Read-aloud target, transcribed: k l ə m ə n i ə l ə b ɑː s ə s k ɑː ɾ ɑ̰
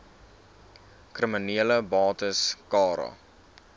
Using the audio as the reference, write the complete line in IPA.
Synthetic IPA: k r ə m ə n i ə l ə b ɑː t ə s k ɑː ɾ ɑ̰